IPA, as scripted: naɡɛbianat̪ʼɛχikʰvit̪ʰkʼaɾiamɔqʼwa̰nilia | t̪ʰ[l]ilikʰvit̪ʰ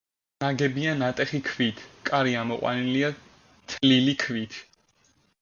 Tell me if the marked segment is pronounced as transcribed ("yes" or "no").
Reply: yes